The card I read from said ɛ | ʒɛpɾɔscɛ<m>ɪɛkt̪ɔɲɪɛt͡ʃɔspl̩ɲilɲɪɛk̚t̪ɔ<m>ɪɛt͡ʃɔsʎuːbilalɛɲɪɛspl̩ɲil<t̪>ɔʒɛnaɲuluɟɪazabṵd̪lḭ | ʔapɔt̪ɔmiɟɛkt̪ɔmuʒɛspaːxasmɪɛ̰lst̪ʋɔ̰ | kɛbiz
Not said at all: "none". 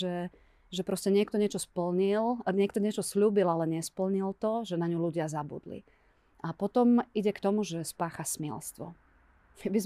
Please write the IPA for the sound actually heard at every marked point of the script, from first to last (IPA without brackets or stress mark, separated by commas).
ɲ, ɲ, t̪